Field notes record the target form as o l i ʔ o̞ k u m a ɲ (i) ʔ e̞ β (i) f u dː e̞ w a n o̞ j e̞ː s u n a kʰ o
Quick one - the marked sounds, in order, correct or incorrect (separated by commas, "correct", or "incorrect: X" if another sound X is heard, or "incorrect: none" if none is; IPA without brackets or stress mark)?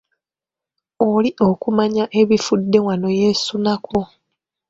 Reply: incorrect: a, correct